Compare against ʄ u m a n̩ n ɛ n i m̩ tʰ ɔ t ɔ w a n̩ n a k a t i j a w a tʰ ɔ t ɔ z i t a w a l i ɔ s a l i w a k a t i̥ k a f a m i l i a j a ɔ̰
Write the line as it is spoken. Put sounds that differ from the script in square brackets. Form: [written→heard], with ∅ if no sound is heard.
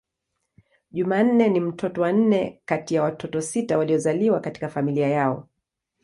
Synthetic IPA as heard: ʄ u m a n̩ n ɛ n i m̩ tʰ ɔ t ɔ w a n̩ n [a→ɛ] k a t i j a w a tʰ ɔ t ɔ [z→s] i t a w a l i ɔ [s→z] a l i w a k a t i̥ k a f a m i l i a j a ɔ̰